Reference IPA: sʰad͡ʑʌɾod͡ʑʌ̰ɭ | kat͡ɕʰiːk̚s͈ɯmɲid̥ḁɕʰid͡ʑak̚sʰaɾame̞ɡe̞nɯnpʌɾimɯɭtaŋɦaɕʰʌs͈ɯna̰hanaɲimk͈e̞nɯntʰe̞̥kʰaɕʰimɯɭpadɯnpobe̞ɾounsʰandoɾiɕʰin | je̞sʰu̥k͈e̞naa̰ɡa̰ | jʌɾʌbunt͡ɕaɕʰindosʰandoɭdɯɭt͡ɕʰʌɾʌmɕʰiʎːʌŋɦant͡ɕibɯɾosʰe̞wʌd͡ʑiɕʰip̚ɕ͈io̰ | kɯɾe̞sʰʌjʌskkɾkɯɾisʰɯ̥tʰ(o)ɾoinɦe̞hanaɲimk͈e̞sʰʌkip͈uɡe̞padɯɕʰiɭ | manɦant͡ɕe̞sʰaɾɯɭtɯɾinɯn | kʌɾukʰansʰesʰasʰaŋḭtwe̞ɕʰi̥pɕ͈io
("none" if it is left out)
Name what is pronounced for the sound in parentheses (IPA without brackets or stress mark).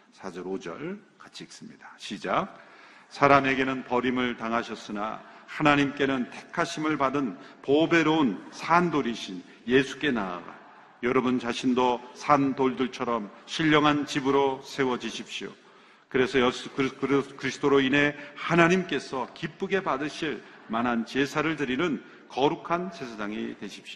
o